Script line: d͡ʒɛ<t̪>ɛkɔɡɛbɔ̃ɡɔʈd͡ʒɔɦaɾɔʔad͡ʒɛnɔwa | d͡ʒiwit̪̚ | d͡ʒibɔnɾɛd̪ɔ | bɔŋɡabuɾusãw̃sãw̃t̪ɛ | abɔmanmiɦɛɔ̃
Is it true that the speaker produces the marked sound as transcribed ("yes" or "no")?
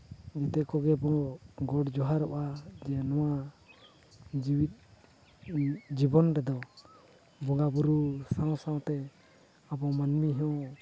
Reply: yes